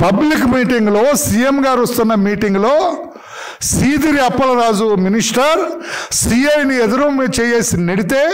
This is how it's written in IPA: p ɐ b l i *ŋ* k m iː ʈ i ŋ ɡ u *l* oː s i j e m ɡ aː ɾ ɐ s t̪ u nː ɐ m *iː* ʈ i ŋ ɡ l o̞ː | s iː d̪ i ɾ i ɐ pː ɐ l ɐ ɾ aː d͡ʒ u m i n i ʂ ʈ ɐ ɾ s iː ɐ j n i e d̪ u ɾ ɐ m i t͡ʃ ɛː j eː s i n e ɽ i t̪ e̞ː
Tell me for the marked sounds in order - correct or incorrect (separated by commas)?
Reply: incorrect, correct, correct